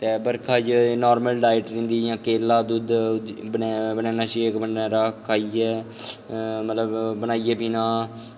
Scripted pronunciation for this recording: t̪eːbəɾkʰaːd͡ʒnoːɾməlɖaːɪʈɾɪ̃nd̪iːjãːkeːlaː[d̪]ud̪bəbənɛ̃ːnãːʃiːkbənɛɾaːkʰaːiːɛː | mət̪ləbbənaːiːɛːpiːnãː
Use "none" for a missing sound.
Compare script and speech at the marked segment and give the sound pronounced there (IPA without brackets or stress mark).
d̪